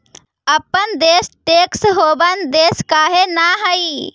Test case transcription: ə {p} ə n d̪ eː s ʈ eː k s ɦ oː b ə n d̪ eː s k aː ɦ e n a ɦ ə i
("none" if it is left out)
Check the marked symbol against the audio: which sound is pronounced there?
p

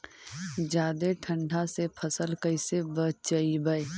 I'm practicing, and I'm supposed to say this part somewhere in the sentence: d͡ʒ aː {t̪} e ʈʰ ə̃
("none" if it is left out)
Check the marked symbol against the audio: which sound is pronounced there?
d̪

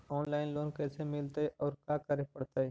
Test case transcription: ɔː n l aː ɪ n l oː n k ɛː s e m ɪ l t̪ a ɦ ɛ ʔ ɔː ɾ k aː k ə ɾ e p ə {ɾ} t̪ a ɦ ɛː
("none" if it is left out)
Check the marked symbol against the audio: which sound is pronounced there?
ɽ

